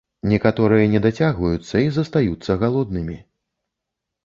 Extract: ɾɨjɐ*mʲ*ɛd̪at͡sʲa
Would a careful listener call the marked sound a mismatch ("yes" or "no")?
yes